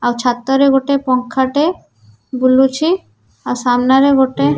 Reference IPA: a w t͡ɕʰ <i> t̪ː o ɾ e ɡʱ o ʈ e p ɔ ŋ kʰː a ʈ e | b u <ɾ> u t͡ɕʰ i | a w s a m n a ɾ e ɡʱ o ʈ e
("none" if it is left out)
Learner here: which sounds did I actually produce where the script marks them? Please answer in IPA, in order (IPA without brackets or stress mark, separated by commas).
a, l